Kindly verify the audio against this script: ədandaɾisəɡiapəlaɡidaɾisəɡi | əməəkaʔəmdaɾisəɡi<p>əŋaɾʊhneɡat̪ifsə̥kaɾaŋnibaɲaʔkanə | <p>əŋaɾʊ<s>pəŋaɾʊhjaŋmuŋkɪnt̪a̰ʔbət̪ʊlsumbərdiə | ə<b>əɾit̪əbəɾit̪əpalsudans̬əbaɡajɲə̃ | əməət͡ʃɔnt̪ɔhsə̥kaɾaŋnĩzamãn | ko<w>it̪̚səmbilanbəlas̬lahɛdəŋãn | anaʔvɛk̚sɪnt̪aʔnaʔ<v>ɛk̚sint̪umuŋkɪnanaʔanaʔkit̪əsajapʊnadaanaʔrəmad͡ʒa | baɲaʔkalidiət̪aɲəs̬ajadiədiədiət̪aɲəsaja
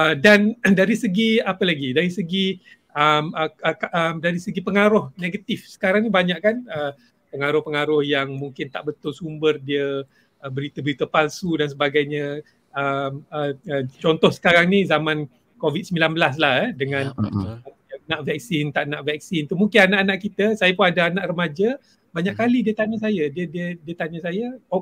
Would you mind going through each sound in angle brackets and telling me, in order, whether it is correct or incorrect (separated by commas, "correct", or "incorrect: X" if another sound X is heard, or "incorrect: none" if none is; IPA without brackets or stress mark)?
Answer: correct, correct, incorrect: h, correct, incorrect: v, correct